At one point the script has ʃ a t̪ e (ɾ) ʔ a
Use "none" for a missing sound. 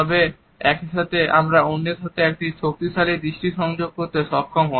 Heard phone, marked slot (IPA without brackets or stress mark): none